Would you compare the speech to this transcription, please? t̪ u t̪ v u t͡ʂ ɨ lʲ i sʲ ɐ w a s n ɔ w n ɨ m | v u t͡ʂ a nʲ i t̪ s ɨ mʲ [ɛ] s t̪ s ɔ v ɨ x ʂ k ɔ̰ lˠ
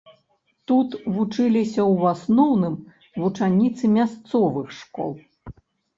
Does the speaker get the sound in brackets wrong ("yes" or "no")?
yes